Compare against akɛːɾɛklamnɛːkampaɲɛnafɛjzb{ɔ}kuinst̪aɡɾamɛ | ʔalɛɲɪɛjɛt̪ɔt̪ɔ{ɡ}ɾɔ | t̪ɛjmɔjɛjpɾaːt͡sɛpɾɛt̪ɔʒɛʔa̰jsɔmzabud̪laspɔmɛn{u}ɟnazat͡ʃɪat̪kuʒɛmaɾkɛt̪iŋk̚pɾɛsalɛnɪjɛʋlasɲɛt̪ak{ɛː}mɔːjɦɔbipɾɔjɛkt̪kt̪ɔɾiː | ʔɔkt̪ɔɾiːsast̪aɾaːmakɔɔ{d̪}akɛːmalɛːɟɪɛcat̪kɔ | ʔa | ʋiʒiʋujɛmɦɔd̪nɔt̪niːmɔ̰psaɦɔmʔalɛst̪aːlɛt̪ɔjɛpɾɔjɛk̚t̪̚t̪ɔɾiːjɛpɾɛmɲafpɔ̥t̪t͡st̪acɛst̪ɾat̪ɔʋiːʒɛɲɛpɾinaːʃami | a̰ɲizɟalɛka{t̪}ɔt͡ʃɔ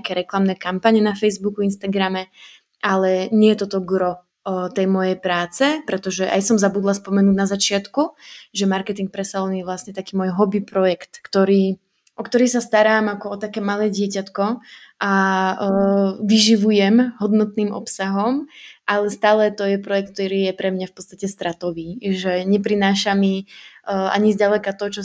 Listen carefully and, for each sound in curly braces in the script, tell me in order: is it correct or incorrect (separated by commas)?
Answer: incorrect, correct, incorrect, incorrect, incorrect, correct